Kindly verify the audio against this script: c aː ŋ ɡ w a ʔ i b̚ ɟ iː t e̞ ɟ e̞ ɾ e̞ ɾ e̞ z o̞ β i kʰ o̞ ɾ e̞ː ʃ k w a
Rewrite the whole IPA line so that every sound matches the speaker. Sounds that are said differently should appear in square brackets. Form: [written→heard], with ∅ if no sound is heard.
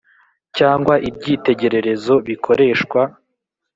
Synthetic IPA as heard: c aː ŋ ɡ w a ʔ i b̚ ɟ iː t e̞ ɟ e̞ ɾ e̞ ɾ e̞ z o̞ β i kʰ o̞ ɾ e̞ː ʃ k w a